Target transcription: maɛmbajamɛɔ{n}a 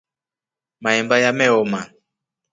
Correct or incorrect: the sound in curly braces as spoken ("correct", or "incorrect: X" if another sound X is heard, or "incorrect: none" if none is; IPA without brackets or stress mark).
incorrect: m